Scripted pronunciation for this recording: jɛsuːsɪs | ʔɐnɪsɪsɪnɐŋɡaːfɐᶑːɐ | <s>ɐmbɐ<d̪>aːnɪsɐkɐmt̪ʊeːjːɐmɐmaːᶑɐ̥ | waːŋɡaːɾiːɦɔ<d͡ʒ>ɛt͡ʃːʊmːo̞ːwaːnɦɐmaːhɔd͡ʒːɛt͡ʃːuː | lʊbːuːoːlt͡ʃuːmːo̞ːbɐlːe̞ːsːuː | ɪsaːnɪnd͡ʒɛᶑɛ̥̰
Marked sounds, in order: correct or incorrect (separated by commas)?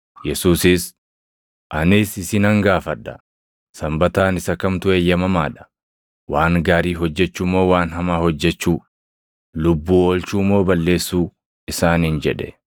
correct, incorrect, incorrect